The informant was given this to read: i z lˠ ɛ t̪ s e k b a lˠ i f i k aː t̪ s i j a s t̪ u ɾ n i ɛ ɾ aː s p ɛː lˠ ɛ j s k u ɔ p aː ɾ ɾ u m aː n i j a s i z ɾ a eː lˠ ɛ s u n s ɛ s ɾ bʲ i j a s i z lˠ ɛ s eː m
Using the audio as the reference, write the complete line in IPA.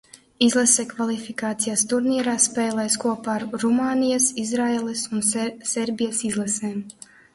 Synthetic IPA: i z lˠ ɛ s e k v a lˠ i f i k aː t̪ s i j a s t̪ u ɾ n i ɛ ɾ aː s p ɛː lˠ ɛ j s k u ɔ p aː ɾ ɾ u m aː n i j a s i z ɾ a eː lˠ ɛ s u n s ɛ ɾ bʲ i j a s i z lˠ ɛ s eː m